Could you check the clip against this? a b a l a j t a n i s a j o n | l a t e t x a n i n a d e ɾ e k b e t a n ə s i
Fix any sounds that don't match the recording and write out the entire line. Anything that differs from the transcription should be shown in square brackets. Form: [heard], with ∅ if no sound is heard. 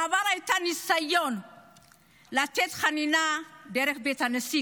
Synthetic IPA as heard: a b a [ɾ] a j t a n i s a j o n | l a t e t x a n i n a d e ɾ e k b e t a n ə s i

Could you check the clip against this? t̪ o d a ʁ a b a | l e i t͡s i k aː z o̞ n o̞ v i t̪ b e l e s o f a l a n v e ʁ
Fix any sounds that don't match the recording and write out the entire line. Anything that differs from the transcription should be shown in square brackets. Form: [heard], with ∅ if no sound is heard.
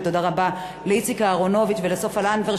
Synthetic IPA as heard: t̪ o d a ʁ a b a | l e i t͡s i k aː [ʁ] o̞ n o̞ v i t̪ [v] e l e s o f a l a n v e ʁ

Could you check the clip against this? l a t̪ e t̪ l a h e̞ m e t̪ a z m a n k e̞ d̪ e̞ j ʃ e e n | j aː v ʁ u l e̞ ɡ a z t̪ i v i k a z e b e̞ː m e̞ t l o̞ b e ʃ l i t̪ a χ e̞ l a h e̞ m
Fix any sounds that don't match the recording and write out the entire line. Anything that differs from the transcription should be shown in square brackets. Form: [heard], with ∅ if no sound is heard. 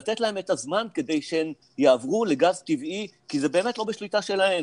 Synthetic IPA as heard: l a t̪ e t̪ l a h e̞ m e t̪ a z m a n k e̞ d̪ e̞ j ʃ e e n | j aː v ʁ u l e̞ ɡ a z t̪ i v i k [i] z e b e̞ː m e̞ t l o̞ b e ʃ l i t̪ a [ʃ] e̞ l a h e̞ m

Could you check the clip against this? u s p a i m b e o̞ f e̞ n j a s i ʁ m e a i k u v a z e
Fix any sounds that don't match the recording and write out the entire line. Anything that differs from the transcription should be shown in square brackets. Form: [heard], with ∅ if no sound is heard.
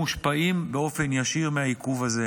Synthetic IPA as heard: u [ʃ] p a i m b e o̞ f e̞ n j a [ʃ] i ʁ m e a i k u v a z e

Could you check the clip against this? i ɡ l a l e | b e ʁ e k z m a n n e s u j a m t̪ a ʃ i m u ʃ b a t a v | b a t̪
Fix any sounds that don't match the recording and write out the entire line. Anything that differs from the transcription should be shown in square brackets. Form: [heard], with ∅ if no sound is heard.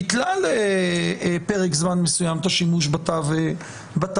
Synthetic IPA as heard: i [k] l a l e | [p] e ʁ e k z m a n [m] e s u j a m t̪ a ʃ i m u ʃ b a t a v | b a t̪

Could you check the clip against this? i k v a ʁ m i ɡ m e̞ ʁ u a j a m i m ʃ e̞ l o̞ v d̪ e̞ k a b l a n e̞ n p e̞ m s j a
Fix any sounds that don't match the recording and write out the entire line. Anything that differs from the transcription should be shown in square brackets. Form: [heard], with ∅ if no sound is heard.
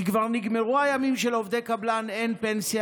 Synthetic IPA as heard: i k v a ʁ [n] i ɡ m e̞ ʁ u a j a m i m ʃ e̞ l o̞ v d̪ e̞ k a b l a n e̞ n p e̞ [n] s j a

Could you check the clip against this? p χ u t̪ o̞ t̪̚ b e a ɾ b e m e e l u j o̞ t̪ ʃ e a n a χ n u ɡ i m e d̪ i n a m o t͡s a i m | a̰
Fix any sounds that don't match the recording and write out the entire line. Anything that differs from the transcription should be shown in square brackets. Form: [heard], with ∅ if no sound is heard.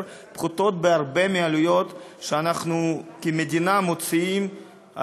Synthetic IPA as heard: p χ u t̪ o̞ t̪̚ b e a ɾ b e m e [a] l u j o̞ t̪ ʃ e a n a χ n u [k] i m e d̪ i n a m o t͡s [i] i m | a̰

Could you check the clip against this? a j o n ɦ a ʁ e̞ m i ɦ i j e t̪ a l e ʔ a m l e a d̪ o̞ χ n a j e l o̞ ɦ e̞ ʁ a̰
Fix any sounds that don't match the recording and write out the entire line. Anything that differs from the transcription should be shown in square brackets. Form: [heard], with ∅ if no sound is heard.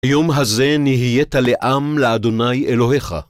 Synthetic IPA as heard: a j o [m] ɦ a [z] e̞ [n] i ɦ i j e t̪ a l e ʔ a m l e a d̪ o̞ [∅] n a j e l o̞ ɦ e̞ [χ] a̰

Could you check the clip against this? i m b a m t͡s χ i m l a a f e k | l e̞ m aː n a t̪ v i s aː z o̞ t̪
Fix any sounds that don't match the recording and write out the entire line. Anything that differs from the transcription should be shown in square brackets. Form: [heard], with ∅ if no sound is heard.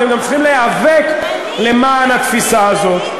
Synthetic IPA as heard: [e] m [ɡ] a m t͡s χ i m l [e] a [v] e k | l e̞ m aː n a t̪ [f] i s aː z o̞ t̪

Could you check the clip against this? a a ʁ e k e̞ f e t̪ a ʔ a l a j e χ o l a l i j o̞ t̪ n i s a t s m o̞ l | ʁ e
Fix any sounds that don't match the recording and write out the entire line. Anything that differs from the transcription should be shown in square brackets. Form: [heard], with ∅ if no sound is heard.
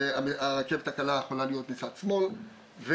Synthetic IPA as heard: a a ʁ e k e̞ [v] e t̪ a [k] a l a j e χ o l a l i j o̞ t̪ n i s a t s m o̞ l | [v] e

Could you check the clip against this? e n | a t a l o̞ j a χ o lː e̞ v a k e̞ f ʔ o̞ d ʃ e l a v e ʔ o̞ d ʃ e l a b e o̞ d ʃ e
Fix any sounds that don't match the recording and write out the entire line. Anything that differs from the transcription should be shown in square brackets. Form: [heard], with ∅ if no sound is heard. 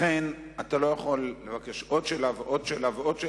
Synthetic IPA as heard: e n | a t a l o̞ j a χ o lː e̞ v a k e̞ [ʃ] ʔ o̞ d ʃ e l a v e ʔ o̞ d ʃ e l a [v] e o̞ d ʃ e

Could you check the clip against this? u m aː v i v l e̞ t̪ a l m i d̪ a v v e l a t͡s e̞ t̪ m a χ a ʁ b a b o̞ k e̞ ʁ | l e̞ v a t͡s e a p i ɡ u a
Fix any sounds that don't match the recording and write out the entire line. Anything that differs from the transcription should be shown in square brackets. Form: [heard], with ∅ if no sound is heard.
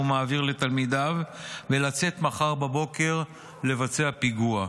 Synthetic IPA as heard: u m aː v i [ʁ] l e̞ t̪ a l m i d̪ a v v e l a t͡s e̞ t̪ m a χ a ʁ b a b o̞ k e̞ ʁ | l e̞ v a t͡s e a p i ɡ u a

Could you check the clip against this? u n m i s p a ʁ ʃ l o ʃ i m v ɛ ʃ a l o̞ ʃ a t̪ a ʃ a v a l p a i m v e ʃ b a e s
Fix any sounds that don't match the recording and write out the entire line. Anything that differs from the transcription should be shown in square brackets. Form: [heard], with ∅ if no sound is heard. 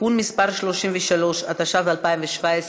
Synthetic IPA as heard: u n m i s p a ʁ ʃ l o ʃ i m v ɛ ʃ a l o̞ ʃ a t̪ a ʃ a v a l p a i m v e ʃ [v] a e s

